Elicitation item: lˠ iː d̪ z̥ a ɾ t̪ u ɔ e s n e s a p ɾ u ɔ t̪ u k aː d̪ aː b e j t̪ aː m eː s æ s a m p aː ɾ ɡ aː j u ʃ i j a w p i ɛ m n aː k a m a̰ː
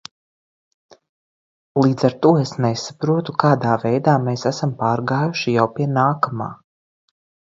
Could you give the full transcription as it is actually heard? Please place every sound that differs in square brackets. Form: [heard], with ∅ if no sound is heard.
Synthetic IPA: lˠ iː d̪ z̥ a ɾ t̪ u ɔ e s n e s a p ɾ u ɔ t̪ u k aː d̪ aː [v] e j [d̪] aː m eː s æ s a m p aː ɾ ɡ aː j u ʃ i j a w p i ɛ [∅] n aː k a m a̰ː